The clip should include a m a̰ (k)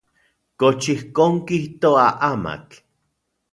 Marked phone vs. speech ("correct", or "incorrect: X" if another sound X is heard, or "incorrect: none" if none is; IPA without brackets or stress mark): correct